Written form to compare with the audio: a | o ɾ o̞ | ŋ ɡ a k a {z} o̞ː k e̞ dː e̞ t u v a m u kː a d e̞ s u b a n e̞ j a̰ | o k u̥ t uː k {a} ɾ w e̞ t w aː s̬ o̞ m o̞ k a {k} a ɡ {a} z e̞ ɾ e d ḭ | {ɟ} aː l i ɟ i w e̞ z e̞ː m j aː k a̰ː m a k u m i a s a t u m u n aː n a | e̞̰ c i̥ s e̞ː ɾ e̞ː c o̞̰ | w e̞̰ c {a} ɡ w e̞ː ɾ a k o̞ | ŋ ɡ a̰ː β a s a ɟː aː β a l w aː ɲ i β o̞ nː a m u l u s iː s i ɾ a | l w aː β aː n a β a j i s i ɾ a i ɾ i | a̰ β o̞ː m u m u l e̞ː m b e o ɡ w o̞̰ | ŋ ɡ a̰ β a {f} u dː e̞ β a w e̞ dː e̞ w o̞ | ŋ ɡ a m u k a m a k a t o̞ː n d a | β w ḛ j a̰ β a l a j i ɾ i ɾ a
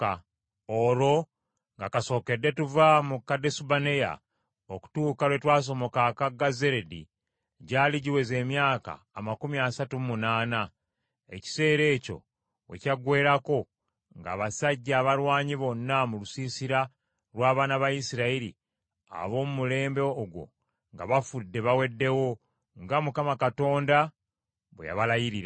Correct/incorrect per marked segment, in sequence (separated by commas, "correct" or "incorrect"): incorrect, correct, correct, correct, correct, correct, correct